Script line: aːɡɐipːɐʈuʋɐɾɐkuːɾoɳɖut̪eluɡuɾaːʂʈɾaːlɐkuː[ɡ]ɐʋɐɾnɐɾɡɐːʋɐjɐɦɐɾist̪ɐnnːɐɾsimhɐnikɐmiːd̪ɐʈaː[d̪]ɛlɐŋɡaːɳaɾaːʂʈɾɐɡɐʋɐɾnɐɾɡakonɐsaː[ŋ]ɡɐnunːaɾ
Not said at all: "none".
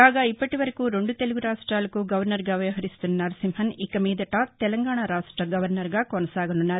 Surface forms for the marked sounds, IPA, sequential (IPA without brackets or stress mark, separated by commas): ɡ, t̪, none